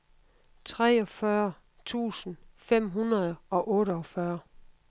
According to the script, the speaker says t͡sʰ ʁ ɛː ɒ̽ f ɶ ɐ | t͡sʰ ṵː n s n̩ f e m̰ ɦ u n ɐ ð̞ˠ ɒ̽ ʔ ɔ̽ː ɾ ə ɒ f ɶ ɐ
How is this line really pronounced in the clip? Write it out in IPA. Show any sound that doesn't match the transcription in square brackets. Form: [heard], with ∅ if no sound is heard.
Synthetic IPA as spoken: t͡sʰ ʁ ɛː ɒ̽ f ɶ ɐ | t͡sʰ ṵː [∅] s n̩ f e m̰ ɦ u n ɐ ð̞ˠ ɒ̽ ʔ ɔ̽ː ɾ ə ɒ f ɶ ɐ